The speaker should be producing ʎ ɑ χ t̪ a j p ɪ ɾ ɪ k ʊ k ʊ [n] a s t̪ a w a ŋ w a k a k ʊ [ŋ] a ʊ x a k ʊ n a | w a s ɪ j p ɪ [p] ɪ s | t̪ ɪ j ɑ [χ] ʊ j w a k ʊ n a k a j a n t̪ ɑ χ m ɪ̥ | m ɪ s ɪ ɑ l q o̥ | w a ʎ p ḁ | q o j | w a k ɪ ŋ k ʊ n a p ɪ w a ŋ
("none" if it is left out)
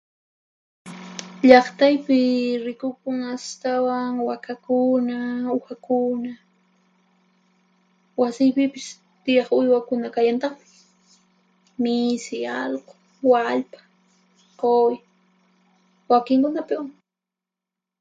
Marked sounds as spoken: ŋ, n, p, χ

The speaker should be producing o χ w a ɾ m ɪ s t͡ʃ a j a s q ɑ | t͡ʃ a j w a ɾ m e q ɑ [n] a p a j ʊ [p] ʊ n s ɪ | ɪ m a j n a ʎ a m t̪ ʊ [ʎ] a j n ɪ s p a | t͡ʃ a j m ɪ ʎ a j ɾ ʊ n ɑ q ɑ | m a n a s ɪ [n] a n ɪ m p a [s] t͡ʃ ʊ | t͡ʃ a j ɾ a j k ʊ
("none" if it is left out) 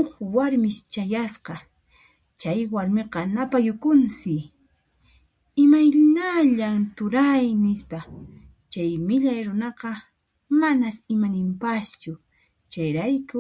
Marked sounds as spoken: n, k, ɾ, m, s

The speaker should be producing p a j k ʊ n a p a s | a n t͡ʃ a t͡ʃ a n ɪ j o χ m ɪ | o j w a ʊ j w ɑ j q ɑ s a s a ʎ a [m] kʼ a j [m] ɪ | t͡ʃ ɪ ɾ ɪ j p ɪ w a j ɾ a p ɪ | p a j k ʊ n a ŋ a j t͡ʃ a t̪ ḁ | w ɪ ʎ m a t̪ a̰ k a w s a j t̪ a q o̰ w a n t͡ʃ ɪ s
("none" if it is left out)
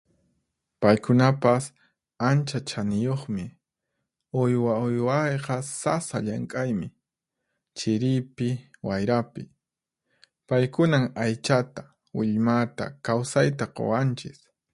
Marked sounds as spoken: ŋ, m

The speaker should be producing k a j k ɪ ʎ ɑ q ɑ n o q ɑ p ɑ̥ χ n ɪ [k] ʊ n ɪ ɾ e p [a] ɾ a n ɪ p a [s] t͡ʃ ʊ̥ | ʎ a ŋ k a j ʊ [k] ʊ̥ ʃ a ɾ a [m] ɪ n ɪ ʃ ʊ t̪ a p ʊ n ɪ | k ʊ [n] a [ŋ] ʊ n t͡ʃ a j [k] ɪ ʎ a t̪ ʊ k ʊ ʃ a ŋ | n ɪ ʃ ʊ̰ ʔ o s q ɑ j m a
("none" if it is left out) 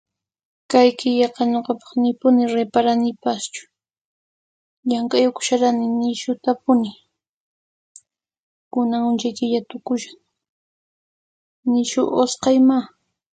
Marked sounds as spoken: p, a, s, k, n, n, ŋ, k

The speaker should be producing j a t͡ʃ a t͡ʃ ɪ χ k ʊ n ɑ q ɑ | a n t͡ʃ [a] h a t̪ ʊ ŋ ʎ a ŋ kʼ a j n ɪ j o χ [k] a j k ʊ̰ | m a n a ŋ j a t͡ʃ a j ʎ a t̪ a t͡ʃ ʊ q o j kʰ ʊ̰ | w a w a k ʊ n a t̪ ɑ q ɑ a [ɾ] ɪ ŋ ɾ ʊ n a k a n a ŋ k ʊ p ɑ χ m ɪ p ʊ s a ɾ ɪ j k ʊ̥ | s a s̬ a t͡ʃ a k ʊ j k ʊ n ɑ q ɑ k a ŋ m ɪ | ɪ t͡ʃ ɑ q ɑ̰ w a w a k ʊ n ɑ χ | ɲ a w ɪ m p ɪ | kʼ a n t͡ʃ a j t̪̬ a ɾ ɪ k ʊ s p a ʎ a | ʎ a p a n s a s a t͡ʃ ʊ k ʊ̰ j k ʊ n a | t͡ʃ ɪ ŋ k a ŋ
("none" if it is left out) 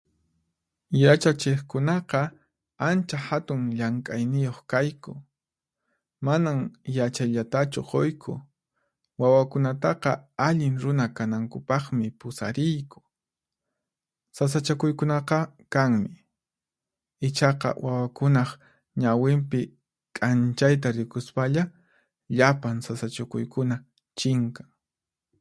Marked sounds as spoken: a, k, ʎ

